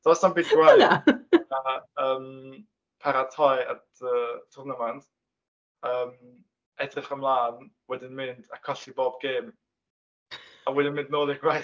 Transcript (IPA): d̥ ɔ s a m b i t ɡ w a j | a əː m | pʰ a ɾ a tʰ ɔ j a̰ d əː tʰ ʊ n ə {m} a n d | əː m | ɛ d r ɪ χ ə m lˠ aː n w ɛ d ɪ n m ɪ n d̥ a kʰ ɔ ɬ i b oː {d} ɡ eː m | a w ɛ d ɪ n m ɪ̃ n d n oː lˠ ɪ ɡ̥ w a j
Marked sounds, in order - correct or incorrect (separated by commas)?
correct, incorrect